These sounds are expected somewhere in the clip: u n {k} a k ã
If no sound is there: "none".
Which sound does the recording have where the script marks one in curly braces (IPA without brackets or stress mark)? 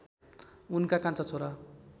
k